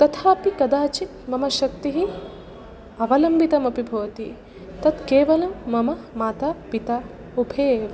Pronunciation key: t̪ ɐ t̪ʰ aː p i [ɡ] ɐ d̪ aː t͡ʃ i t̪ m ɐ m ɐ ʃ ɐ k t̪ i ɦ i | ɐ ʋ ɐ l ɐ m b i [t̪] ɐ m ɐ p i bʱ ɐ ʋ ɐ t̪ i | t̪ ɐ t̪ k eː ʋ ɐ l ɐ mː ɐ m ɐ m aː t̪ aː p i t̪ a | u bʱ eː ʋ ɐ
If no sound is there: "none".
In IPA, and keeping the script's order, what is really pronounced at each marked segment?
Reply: k, t̪

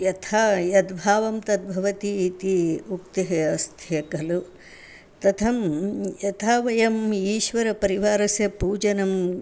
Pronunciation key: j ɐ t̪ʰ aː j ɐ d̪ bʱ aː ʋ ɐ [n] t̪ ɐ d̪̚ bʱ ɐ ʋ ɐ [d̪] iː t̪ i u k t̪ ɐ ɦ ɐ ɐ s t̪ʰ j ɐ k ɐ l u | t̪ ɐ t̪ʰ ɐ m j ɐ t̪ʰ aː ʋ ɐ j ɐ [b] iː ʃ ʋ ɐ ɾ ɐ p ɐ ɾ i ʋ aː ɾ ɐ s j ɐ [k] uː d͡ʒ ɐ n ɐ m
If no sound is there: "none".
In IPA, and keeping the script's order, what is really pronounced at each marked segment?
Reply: m, t̪, m, p

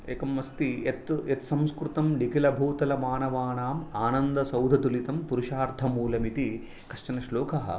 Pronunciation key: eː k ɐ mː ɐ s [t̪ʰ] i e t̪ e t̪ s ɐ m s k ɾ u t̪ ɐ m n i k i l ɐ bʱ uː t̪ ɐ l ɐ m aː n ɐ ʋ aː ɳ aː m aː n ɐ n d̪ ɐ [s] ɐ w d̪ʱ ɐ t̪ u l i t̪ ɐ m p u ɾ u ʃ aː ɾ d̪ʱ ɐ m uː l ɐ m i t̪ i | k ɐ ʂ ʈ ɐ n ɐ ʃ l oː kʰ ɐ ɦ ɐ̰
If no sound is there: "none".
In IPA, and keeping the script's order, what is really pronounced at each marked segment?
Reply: t̪, s

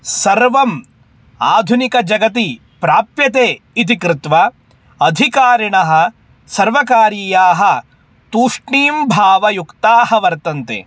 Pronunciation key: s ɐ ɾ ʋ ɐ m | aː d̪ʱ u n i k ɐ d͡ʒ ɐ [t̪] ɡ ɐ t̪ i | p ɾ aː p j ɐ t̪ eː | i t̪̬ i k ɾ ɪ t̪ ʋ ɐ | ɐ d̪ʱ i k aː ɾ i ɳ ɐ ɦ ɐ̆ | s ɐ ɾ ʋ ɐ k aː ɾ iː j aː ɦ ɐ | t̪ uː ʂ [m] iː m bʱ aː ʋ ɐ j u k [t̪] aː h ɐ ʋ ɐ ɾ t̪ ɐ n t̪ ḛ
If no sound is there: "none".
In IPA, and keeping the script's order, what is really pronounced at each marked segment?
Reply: none, ɳ, t̪

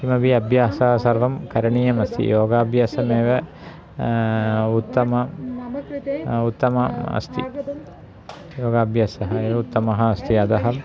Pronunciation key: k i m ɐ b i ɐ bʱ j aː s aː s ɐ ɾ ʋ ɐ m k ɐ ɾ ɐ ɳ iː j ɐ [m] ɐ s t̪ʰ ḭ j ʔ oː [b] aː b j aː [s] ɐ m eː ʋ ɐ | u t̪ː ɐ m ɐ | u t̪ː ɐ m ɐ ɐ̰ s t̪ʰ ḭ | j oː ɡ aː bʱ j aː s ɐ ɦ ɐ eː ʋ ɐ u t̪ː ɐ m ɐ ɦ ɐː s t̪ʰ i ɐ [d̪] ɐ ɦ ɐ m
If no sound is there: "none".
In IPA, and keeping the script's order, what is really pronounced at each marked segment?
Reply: m, ɡ, s, d̪

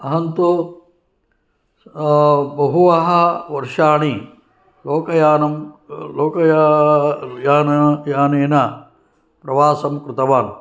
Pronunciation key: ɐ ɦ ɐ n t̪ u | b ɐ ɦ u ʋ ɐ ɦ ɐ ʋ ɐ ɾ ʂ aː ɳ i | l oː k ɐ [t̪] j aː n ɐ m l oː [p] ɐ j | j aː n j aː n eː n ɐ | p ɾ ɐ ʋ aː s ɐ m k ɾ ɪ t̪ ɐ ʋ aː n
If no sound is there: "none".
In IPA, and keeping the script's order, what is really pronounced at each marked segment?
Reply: none, k

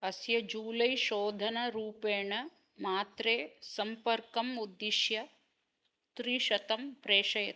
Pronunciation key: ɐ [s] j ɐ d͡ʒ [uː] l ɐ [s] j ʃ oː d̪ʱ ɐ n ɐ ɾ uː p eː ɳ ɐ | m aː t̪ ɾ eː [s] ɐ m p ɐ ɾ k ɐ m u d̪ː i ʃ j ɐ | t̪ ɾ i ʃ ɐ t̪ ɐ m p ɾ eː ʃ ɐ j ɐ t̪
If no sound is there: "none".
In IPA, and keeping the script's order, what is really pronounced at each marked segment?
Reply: s, uː, none, s

